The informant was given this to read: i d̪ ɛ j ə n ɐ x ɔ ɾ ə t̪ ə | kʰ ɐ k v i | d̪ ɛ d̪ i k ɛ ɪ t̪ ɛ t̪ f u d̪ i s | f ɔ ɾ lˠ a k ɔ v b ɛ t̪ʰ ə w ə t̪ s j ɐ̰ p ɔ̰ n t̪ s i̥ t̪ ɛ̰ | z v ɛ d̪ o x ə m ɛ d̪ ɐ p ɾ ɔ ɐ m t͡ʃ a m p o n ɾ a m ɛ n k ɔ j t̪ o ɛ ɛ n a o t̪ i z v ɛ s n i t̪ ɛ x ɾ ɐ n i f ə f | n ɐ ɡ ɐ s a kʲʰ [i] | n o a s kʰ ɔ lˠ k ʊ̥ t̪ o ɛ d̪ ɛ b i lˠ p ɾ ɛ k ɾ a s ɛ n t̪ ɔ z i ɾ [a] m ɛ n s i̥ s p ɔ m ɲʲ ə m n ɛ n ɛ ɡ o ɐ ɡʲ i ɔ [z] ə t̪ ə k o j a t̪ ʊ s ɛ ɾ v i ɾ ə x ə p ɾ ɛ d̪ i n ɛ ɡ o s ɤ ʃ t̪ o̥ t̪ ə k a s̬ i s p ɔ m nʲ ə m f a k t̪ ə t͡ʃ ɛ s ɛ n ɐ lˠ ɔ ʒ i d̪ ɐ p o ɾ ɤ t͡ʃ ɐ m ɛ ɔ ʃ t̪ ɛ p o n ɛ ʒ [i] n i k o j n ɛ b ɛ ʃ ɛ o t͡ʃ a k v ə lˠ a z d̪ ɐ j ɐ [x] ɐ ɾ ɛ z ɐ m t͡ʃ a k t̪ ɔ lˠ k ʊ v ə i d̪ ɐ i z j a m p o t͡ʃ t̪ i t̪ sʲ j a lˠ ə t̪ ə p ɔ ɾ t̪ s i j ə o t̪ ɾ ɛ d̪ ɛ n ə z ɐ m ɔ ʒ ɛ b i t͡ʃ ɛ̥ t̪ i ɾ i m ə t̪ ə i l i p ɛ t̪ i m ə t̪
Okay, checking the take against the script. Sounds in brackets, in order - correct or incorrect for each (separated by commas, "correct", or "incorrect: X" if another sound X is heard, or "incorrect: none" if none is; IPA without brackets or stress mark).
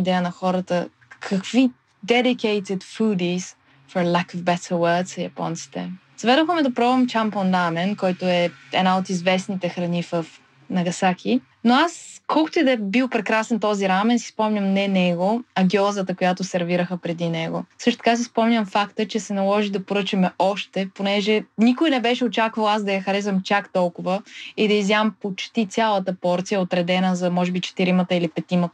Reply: correct, correct, correct, incorrect: ɛ, correct